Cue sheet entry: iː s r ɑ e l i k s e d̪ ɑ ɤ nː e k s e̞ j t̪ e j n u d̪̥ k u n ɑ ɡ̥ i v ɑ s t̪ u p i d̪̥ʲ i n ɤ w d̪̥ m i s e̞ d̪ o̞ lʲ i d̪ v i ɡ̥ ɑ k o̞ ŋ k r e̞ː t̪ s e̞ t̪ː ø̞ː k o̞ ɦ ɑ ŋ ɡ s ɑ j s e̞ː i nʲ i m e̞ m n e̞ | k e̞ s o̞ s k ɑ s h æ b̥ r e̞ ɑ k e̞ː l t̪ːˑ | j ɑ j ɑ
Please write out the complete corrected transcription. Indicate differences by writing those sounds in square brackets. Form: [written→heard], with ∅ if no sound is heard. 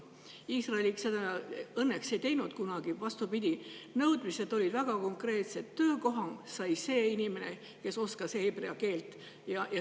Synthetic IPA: iː s r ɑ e l i k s e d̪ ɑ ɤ nː e k s e̞ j t̪ e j n u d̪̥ k u n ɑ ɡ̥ i v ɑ s t̪ u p i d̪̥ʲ i n ɤ w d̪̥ m i s e̞ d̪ o̞ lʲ i d̪ v [i→æ] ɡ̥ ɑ k o̞ ŋ k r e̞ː t̪ s e̞ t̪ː ø̞ː k o̞ ɦ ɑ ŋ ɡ s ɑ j s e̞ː i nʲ i m e̞ [m→∅] n e̞ | k e̞ s o̞ s k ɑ s h [æ→e] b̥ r e̞ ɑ k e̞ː l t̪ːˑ | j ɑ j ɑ